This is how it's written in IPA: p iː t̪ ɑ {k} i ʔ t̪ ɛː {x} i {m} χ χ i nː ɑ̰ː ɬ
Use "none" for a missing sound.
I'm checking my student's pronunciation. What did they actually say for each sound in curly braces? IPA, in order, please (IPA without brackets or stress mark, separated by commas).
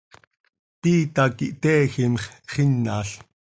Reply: k, x, m